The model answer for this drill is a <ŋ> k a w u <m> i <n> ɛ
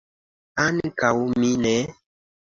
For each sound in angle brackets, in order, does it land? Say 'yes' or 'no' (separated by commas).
no, yes, yes